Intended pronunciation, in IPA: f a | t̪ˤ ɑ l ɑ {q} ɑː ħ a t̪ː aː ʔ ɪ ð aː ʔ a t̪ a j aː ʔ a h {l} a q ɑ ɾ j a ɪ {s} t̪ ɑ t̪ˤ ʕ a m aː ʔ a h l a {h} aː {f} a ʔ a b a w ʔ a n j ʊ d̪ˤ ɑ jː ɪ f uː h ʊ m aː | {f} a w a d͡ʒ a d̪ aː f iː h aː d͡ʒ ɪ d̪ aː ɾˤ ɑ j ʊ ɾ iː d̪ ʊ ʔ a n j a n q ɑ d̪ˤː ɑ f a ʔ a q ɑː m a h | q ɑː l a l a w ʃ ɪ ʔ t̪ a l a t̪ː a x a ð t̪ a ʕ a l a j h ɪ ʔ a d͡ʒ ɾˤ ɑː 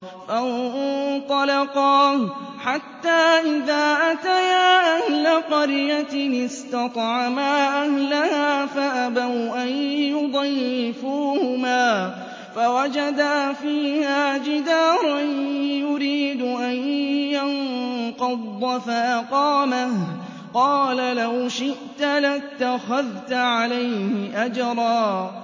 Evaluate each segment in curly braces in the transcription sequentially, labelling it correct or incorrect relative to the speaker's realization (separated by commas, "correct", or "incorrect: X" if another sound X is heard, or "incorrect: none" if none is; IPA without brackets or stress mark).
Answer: correct, correct, correct, correct, correct, correct